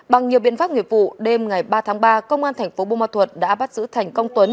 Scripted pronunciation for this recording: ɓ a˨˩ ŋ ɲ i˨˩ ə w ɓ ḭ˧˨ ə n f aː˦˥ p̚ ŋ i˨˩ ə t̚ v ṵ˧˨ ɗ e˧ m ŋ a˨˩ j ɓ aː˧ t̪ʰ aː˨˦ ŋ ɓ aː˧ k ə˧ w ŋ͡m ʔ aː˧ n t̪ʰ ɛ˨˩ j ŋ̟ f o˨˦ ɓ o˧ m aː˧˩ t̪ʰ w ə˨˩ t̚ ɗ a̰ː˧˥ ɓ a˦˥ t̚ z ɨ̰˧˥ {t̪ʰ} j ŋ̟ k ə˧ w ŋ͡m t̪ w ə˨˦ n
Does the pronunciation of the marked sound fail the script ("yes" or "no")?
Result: no